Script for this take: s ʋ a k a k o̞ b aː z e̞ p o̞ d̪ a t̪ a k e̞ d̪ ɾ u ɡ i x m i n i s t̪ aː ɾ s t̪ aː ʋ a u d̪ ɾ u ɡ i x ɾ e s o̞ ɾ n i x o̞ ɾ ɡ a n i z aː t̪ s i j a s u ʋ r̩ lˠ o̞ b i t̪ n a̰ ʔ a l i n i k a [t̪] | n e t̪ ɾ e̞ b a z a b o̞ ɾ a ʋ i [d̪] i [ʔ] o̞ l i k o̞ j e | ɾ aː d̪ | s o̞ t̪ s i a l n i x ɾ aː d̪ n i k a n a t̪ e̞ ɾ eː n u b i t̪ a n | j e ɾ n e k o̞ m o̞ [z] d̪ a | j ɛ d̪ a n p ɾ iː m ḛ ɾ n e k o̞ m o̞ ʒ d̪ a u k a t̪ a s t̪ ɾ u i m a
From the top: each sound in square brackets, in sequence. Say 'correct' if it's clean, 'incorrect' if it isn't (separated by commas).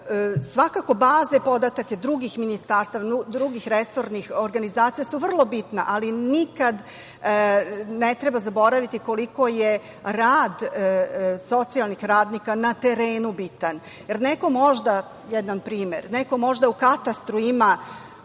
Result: incorrect, incorrect, incorrect, incorrect